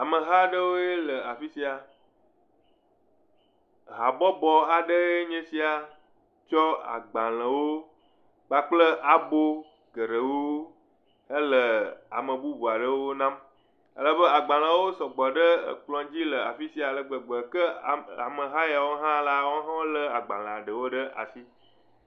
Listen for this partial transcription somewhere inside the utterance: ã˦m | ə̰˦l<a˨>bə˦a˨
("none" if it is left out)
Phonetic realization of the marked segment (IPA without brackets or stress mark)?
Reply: ə˨